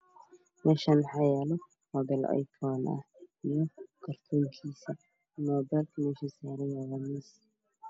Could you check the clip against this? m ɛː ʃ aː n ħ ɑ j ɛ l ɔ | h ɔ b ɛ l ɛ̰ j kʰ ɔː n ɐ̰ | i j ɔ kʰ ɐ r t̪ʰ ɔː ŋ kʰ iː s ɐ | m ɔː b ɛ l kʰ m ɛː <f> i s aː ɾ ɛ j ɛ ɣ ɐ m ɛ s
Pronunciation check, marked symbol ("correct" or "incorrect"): incorrect